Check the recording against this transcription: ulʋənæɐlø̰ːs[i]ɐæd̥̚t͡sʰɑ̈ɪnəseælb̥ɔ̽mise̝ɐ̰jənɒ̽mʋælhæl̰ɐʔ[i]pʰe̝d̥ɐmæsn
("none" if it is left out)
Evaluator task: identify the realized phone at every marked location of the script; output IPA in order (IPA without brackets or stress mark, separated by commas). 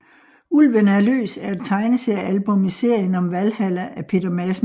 æ, æ